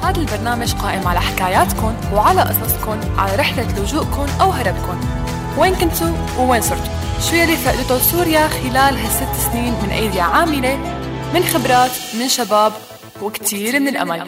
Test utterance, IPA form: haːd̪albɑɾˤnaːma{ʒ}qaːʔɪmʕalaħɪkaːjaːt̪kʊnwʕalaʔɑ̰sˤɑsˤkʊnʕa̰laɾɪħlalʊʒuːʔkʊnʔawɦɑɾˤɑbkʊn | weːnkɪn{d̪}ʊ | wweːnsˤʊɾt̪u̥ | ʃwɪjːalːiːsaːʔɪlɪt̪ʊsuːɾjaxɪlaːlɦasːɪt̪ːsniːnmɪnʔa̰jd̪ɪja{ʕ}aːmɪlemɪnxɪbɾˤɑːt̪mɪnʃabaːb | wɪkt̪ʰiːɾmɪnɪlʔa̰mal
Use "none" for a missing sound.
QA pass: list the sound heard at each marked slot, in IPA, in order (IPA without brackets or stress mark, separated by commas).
ʒ, t̪, ʕ